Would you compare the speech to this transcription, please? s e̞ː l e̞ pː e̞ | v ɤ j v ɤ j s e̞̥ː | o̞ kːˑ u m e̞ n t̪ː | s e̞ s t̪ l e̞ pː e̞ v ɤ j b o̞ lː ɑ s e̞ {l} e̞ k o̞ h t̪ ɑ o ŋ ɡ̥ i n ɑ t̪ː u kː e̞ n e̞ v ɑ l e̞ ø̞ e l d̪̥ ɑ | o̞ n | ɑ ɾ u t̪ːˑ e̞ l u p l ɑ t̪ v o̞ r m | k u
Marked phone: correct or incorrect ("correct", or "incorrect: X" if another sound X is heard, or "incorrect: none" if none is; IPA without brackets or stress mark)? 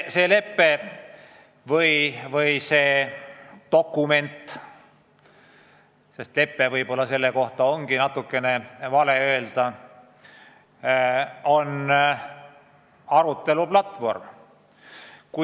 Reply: incorrect: lː